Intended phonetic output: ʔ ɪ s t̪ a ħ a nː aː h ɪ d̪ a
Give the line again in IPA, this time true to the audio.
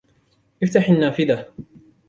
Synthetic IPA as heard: ʔ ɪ f t̪ a ħ a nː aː f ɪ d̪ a